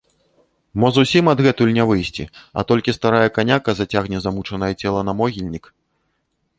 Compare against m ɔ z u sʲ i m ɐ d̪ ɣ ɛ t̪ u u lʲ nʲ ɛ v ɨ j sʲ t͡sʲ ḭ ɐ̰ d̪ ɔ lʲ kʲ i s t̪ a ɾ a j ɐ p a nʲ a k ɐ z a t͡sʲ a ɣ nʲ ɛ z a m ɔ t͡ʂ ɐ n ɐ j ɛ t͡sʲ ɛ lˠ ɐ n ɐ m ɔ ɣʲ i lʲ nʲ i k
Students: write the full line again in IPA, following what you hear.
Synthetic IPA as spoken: m ɔ z u sʲ i m ɐ d̪ ɣ ɛ t̪ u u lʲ nʲ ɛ v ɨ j sʲ t͡sʲ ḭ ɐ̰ t̪ ɔ lʲ kʲ i s t̪ a ɾ a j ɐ k a nʲ a k ɐ z a t͡sʲ a ɣ nʲ ɛ z a m u t͡ʂ ɐ n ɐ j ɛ t͡sʲ ɛ lˠ ɐ n ɐ m ɔ ɣʲ i lʲ nʲ i k